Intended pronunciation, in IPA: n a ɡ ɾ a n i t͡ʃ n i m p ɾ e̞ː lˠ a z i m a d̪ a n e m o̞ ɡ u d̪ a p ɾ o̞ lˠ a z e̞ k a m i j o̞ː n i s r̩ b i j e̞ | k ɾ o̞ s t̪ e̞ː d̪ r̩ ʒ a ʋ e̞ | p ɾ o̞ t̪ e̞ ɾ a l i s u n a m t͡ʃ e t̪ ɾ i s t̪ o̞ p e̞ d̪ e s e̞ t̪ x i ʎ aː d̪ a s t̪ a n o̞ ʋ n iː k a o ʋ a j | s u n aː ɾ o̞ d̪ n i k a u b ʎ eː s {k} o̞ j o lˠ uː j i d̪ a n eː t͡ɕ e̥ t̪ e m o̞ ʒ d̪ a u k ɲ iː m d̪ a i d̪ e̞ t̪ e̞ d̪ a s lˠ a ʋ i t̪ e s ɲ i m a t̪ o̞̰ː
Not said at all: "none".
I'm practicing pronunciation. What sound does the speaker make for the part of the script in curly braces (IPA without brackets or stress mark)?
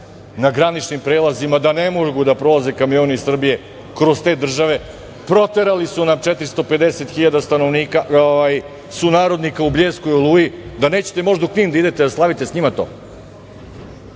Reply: k